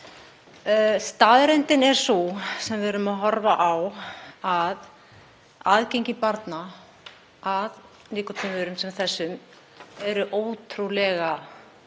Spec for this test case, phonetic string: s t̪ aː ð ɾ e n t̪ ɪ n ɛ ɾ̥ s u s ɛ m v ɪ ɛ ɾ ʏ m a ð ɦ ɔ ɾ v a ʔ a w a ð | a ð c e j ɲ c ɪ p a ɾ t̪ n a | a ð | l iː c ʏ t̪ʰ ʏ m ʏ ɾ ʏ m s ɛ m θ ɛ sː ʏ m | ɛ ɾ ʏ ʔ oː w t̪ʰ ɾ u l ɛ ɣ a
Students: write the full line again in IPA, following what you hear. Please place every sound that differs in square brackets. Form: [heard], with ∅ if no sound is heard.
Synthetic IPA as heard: s t̪ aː ð ɾ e n t̪ ɪ n ɛ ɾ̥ s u s ɛ m v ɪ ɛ ɾ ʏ m a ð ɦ ɔ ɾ v a ʔ a w a ð | a ð c e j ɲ c ɪ p a ɾ t̪ n a | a ð | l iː [k] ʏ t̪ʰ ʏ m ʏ ɾ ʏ m s ɛ m θ ɛ sː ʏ m | ɛ ɾ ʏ ʔ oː w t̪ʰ ɾ u l ɛ ɣ a